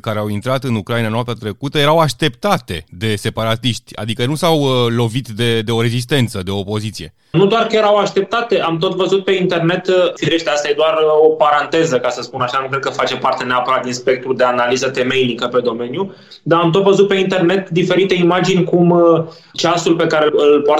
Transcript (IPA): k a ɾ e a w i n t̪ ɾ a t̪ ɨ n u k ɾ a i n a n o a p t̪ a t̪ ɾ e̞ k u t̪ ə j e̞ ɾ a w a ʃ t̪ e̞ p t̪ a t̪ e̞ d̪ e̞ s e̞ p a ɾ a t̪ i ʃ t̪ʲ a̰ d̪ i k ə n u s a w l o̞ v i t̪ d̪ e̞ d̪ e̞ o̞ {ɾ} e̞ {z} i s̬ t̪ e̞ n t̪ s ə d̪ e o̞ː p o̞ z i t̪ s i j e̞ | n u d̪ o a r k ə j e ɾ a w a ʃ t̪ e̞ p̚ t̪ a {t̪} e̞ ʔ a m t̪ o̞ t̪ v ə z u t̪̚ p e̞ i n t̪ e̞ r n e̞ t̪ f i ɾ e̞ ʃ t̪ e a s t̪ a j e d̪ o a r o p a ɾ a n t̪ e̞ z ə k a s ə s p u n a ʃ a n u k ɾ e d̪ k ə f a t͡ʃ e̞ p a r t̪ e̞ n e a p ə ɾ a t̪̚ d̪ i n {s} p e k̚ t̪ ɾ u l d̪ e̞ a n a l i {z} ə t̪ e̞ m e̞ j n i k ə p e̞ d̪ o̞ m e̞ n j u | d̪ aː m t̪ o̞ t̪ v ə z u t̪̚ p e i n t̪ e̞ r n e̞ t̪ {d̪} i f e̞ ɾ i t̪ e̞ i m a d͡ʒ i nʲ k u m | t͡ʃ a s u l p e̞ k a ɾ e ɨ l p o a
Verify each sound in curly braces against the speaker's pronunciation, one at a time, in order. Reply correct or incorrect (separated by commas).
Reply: correct, correct, correct, correct, correct, correct